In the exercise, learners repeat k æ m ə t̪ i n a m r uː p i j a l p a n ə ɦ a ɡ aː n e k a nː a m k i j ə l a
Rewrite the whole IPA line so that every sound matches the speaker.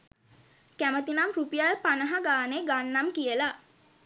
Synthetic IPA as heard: k æ m ə t̪ i n a m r u p i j a l p a n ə ɦ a ɡ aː n e ɡ a nː a m k i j ə l a